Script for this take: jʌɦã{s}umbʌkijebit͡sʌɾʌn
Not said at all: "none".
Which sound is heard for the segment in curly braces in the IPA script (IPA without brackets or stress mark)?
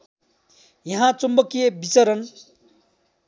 t͡s